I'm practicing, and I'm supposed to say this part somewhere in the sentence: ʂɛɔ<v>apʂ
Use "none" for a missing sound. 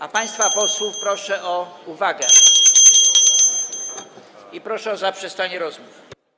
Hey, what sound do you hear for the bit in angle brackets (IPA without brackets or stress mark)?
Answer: z